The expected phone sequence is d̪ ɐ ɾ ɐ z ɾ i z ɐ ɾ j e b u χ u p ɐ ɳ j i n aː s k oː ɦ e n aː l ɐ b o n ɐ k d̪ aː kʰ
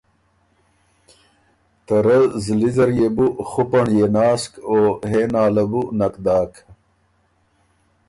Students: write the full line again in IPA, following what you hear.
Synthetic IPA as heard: t̪ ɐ ɾ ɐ z l i z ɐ ɾ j e b u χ u p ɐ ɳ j e n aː s k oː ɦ e n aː l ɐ b u n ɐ k d̪ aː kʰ